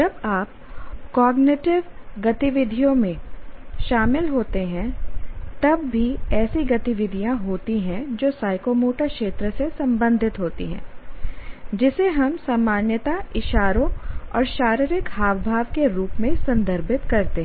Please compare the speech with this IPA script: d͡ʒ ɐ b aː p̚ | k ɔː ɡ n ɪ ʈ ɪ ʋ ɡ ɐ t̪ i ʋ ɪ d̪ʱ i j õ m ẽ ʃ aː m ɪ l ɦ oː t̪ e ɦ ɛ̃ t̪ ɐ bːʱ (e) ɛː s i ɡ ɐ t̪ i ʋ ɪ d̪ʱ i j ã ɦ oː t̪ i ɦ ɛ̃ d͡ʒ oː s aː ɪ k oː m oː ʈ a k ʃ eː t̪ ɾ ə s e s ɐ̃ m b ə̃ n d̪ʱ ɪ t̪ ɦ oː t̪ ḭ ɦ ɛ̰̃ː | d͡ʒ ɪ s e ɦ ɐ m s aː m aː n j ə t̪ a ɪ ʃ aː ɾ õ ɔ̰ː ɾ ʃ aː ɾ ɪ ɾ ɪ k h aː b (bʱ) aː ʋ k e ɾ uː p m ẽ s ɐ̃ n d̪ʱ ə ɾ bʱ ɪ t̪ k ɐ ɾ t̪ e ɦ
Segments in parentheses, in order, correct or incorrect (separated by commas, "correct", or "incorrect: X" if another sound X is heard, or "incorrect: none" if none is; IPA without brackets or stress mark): incorrect: i, correct